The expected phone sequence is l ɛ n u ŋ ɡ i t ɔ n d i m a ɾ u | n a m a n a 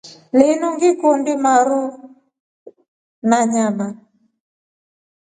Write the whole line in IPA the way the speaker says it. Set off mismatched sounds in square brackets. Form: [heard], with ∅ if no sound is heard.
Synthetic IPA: l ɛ n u ŋ ɡ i [k] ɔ n d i m a ɾ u | n a [ɲ] a [m] a